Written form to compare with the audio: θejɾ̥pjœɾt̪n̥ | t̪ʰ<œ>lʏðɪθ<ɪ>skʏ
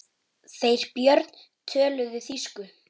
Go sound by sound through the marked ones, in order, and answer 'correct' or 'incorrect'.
incorrect, incorrect

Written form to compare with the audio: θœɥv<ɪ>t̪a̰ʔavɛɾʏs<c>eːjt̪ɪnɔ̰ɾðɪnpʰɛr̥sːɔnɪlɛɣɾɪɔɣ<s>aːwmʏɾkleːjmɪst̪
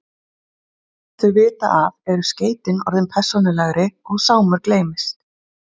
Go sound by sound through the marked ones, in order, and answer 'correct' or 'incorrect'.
incorrect, correct, correct

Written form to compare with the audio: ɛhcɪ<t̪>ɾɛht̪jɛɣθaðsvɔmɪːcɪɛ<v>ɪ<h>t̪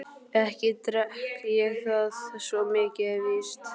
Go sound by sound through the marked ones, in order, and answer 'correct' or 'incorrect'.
correct, correct, incorrect

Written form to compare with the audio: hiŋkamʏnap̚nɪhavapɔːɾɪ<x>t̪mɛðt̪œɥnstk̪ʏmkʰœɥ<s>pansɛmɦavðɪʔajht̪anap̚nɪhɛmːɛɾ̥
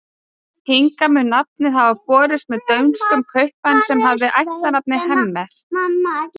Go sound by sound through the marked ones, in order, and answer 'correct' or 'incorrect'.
incorrect, incorrect

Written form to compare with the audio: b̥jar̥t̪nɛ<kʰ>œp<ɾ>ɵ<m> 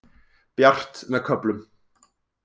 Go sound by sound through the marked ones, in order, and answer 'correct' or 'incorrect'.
correct, incorrect, correct

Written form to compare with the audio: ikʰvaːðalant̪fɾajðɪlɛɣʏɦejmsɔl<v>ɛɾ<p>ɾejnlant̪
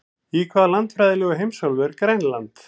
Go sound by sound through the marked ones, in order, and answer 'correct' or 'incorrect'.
correct, incorrect

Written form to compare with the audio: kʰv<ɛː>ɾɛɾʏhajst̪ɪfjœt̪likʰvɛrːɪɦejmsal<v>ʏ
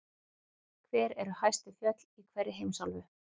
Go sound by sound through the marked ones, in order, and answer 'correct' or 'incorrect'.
correct, correct

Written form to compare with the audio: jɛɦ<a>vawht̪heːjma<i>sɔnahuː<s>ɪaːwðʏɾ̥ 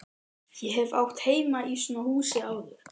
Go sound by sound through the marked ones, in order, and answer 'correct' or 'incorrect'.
incorrect, correct, correct

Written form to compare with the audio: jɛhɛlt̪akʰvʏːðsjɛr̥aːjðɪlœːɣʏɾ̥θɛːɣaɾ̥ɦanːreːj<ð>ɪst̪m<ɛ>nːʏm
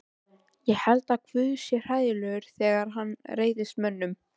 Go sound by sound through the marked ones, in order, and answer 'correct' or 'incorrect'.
correct, incorrect

